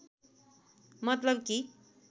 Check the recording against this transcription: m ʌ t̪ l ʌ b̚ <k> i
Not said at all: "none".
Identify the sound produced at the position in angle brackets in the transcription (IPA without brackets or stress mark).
k